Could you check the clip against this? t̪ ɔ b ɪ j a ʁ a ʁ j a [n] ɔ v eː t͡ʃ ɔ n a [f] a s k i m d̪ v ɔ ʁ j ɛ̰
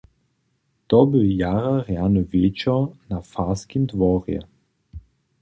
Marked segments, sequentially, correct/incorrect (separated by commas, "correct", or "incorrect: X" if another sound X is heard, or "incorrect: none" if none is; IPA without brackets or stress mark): correct, correct